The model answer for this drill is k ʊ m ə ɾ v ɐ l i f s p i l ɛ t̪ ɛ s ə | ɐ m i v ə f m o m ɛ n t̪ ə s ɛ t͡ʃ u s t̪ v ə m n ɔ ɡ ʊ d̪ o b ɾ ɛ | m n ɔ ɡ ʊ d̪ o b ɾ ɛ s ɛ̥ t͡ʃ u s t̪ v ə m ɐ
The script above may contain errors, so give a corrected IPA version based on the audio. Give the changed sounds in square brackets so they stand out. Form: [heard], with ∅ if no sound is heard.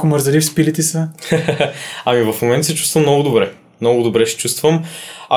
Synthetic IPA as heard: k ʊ m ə ɾ [z] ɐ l i f s p i l [i] t̪ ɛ s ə | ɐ m i v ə f m o m ɛ n t̪ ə s ɛ t͡ʃ u s t̪ v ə m n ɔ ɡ ʊ d̪ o b ɾ ɛ | m n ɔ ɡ ʊ d̪ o b ɾ ɛ [ʃ] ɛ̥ t͡ʃ u s t̪ v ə m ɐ